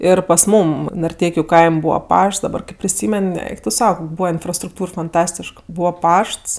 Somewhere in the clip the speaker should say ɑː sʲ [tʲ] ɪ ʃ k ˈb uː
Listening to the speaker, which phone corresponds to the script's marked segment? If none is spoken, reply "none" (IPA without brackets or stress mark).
tʲ